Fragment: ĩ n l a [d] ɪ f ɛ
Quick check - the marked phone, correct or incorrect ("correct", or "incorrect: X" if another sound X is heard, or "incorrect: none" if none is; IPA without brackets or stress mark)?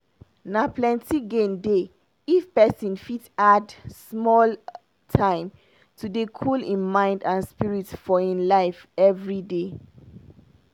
incorrect: none